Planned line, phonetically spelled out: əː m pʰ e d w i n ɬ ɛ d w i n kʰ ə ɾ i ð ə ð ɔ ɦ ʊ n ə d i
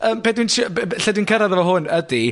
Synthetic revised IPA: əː m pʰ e d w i n ɬ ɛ d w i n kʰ ə ɾ a ð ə v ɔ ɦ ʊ n ə d i